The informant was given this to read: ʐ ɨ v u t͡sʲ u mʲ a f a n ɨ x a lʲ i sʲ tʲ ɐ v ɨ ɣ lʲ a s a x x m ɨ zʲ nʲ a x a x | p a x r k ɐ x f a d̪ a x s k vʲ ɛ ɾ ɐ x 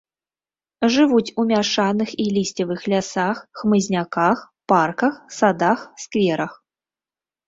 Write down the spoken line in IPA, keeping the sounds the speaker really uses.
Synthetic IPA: ʐ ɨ v u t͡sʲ u mʲ a ʂ a n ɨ x i lʲ i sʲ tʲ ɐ v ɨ x lʲ a s a x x m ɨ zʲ nʲ a k a x | p a r k ɐ x s a d̪ a x s k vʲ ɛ ɾ ɐ x